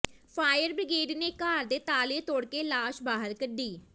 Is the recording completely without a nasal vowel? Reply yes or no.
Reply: yes